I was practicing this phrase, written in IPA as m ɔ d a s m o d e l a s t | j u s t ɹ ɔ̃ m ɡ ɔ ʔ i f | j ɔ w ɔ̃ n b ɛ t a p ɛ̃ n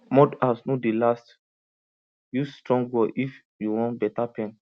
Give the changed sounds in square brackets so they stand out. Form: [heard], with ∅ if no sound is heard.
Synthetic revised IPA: m ɔ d a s [n] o d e l a s t | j u s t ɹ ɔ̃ [ŋ] ɡ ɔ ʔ i f | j [u] w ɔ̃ n b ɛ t a p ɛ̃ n